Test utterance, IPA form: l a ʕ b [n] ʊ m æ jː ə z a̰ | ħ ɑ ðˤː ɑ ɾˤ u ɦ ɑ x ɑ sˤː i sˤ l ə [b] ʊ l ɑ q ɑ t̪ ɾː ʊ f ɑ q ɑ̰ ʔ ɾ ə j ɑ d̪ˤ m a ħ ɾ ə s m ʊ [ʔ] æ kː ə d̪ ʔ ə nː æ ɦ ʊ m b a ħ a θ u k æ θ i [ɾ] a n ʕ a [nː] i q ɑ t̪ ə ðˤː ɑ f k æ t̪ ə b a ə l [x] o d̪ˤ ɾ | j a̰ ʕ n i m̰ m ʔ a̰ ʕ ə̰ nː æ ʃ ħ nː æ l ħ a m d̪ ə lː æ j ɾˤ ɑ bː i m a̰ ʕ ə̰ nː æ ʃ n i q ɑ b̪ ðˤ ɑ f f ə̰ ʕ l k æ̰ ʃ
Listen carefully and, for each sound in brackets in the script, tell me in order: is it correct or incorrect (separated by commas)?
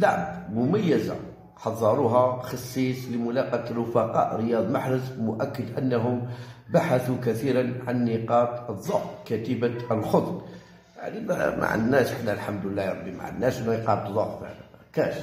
incorrect, incorrect, correct, correct, correct, correct